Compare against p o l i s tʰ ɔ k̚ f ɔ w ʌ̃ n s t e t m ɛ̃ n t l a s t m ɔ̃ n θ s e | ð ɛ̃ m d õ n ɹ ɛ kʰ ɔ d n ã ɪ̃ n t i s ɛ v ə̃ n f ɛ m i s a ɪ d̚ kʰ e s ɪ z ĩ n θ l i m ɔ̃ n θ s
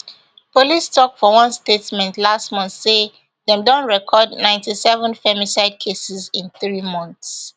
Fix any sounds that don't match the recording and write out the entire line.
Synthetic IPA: p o l i s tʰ ɔ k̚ f ɔ w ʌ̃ n s t e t m ɛ̃ n t l a s t m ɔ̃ n θ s e | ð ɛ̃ m d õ n ɹ ɛ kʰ ɔ d n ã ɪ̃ n t i s ɛ v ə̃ n f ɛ m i s a ɪ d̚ kʰ e s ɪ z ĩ n θ ɹ i m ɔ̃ n θ s